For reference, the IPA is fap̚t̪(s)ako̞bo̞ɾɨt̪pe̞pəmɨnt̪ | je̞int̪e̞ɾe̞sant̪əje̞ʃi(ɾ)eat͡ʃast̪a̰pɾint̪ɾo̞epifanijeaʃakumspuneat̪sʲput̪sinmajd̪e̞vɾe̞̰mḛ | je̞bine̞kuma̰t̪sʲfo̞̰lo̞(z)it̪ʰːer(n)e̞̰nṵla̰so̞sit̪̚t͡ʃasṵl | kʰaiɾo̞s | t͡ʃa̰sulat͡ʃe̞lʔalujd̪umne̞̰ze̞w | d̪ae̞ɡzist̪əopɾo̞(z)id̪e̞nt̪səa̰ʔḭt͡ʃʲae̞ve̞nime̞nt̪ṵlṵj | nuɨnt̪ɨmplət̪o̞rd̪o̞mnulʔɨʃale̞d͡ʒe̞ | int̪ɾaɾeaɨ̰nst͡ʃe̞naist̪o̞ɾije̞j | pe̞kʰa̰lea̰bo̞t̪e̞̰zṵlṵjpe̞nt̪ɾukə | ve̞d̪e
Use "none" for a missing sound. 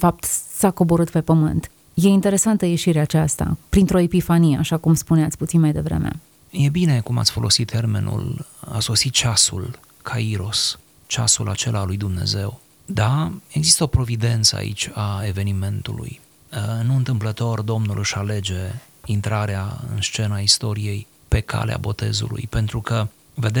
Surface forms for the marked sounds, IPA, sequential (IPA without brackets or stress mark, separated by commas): s, ɾ, s, m, v